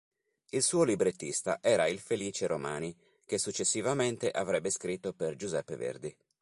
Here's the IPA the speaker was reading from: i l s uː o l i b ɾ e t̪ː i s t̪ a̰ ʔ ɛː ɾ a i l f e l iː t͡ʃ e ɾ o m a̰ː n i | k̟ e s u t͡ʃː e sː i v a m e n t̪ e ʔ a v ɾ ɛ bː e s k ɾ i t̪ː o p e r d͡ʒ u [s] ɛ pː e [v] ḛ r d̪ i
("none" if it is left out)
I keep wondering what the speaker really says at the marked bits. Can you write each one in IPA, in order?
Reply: z, v

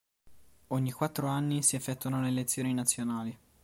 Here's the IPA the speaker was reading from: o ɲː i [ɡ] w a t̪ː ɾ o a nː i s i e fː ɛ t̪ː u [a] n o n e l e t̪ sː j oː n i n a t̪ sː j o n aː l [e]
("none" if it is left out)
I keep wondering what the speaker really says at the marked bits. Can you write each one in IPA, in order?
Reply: k, a, i

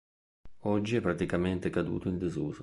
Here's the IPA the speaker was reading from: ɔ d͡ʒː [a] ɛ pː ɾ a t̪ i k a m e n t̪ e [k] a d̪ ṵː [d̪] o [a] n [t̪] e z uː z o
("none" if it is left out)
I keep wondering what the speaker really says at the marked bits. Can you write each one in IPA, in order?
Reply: i, k, t̪, i, d̪

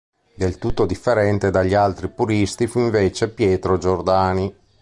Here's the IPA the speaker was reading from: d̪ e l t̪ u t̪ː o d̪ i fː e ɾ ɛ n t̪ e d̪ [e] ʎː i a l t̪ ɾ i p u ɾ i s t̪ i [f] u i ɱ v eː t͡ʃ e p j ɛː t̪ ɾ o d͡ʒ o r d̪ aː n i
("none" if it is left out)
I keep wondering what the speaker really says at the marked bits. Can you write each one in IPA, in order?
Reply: a, f

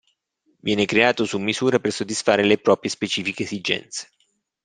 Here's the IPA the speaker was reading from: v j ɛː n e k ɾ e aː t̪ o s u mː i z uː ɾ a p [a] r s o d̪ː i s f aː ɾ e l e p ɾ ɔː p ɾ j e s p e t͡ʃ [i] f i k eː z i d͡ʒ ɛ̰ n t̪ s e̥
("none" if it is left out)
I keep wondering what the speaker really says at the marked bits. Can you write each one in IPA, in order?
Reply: e, iː

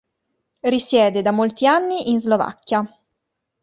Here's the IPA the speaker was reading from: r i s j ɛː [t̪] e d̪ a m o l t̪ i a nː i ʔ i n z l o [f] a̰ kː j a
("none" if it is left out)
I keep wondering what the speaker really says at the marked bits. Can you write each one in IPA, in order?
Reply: d̪, v

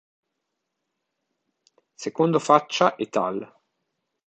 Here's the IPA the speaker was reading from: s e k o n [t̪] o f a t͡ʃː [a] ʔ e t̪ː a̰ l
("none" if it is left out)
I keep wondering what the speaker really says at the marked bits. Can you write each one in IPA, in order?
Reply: d̪, a

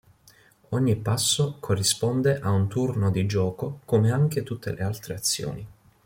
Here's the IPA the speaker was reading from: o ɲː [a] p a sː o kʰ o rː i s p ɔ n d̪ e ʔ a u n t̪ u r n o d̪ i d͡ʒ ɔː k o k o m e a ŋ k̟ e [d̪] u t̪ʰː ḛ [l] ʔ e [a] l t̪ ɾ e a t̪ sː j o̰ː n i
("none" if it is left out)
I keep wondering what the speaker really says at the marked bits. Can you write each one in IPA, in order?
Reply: i, t̪, l, a

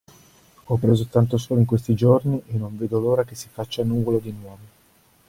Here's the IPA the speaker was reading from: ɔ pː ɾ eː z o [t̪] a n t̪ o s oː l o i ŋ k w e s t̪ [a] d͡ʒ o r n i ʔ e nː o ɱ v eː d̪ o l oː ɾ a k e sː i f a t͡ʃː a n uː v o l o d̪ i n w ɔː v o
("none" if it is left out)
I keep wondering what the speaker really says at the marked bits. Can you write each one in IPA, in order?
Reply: t̪, i

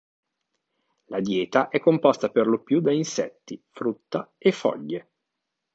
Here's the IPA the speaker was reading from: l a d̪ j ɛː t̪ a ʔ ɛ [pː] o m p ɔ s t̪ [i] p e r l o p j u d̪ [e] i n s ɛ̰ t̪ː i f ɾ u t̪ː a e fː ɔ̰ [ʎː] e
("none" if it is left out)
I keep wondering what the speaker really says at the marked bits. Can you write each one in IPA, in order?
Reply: kː, a, a, ʎː

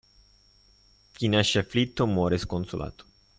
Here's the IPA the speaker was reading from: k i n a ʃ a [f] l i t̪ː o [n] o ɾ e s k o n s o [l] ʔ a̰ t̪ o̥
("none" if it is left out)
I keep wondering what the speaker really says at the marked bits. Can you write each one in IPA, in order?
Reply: f, m, l

